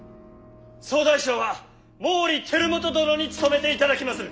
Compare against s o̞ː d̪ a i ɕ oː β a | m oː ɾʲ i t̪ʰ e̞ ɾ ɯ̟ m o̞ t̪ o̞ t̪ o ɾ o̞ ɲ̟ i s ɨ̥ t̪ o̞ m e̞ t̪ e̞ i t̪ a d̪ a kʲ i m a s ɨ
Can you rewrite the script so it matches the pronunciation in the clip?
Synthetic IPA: s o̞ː d̪ a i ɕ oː β a | m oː ɾʲ i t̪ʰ e̞ ɾ ɯ̟ m o̞ t̪ o̞ d̪ o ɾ o̞ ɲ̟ i t͡s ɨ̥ t̪ o̞ m e̞ t̪ e̞ i t̪ a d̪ a kʲ i m a s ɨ